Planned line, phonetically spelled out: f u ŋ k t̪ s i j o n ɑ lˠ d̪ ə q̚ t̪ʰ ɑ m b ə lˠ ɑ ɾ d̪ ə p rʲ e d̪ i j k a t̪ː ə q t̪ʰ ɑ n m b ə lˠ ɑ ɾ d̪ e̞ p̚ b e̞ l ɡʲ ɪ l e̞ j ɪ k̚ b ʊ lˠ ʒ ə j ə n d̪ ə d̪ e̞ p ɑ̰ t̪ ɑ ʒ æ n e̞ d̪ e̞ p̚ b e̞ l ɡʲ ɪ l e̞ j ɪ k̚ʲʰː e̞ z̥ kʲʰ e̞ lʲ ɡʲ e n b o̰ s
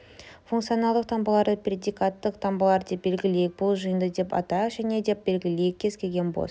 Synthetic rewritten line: f u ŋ k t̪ s i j o n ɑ lˠ d̪ ə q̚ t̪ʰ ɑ m b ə lˠ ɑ ɾ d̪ ə p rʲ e d̪ i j k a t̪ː ə q t̪ʰ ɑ m b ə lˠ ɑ ɾ d̪ e̞ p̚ b e̞ l ɡʲ ɪ l e̞ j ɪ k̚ b ʊ lˠ ʒ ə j ə n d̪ ə d̪ e̞ p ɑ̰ t̪ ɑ ʒ æ n e̞ d̪ e̞ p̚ b e̞ l ɡʲ ɪ l e̞ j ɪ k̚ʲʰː e̞ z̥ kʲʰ e̞ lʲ ɡʲ e n b o̰ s